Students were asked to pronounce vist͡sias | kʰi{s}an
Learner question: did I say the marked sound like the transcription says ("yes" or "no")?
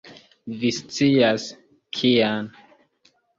no